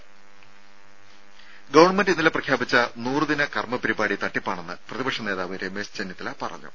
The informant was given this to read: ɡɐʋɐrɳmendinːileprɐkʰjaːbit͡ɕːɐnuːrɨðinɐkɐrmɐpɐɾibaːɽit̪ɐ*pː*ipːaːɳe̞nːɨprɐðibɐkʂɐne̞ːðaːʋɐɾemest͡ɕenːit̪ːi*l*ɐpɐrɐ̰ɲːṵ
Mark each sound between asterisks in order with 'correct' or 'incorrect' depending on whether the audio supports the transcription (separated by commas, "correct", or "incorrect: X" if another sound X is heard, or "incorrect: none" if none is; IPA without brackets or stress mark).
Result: incorrect: ʈː, correct